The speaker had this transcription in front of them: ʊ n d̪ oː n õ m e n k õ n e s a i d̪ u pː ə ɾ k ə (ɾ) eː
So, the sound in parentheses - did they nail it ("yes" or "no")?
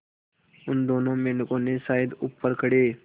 no